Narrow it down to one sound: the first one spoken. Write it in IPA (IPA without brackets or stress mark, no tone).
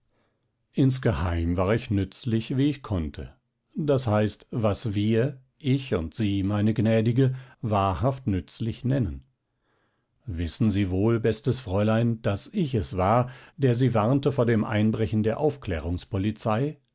ʔ